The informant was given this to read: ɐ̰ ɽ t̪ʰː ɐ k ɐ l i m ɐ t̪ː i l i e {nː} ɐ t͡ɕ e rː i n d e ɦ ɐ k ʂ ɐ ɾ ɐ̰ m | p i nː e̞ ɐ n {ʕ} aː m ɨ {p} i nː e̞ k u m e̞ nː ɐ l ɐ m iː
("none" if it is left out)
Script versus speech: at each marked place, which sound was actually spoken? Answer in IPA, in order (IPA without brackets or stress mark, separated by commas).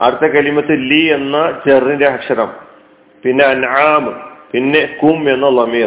nː, ʕ, p